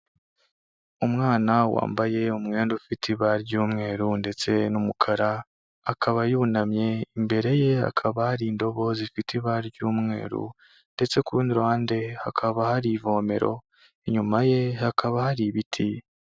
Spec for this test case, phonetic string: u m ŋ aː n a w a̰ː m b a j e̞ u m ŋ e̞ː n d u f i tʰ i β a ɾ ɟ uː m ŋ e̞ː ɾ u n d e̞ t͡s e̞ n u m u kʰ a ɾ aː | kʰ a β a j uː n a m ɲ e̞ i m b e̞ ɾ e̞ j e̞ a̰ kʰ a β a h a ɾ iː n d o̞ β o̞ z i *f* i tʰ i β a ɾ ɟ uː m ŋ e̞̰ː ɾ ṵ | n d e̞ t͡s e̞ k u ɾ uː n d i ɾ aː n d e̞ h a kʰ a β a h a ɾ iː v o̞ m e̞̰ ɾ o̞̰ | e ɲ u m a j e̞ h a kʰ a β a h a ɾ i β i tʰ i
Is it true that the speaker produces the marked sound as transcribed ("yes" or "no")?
yes